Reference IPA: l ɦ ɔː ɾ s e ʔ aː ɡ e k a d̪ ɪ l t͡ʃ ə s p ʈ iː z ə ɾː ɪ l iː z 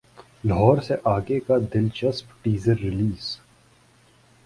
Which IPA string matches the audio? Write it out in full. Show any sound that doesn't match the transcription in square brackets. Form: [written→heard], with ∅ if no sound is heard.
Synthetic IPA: l ɦ ɔː ɾ s e ʔ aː ɡ e k a d̪ ɪ l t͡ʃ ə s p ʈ iː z ə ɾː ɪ l iː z